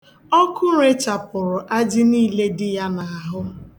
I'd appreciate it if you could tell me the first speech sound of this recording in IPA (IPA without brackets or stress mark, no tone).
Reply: ɔ